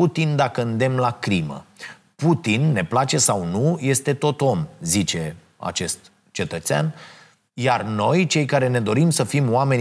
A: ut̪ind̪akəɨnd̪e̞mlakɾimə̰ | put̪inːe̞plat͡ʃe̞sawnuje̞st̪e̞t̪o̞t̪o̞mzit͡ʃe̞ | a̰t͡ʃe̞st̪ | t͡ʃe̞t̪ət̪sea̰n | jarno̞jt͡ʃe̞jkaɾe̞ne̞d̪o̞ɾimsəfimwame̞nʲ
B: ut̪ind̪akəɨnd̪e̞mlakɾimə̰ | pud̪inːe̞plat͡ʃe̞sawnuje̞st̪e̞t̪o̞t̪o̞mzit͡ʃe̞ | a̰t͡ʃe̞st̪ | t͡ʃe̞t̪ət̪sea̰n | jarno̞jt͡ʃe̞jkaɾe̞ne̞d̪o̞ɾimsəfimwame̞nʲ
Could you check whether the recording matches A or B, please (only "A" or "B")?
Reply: A